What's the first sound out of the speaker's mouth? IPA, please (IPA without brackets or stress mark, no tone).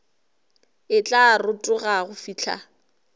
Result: ɪ